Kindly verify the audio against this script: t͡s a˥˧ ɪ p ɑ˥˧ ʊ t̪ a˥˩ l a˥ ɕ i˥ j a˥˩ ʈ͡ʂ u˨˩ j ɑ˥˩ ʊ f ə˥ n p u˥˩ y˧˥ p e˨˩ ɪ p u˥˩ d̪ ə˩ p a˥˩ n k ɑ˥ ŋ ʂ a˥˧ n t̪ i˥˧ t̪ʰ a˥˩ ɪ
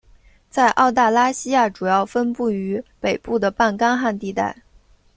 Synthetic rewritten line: t͡s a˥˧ ɪ ʔ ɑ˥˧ ʊ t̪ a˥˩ l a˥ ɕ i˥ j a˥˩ ʈ͡ʂ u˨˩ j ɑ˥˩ ʊ f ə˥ n p u˥˩ y˧˥ p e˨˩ ɪ p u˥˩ d̪ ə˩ p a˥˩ n k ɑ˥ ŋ x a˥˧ n t̪ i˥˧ t̪ a˥˩ ɪ